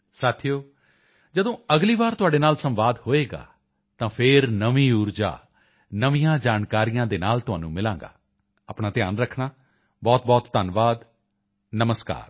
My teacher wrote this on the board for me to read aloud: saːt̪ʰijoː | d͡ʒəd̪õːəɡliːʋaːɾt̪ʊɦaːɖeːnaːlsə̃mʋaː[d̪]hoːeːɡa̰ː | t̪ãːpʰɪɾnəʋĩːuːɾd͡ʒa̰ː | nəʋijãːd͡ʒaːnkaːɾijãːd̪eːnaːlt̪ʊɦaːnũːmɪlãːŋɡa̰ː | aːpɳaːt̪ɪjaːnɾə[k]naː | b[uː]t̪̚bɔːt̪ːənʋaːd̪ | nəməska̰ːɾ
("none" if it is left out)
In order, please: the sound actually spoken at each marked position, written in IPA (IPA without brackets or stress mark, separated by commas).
d̪, kʰ, ɔː